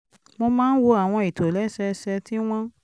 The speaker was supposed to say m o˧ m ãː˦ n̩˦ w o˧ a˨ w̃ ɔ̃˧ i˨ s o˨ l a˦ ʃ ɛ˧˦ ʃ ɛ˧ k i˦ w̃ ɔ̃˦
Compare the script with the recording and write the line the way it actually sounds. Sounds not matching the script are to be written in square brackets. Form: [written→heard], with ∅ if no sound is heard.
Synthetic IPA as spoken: m o˧ m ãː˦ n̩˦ w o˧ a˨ w̃ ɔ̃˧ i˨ [s→t] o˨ l [a˦→ɛ˦] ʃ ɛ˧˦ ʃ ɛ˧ [k→t] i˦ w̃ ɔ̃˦